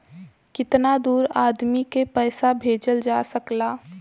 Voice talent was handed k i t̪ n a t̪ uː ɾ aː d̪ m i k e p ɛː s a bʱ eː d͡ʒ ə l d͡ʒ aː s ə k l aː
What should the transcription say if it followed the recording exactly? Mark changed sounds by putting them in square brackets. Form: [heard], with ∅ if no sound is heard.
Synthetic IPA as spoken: k [ɪ] t̪ n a [d̪] uː ɾ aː d̪ m i k e p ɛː s a bʱ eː d͡ʒ ə l d͡ʒ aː s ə k l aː